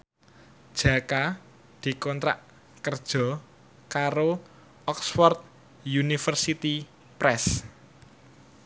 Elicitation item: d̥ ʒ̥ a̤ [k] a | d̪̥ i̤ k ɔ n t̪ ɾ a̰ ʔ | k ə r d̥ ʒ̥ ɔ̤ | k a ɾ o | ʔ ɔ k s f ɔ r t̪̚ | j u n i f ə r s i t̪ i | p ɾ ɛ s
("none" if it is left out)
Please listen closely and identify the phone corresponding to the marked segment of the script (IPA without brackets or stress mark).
k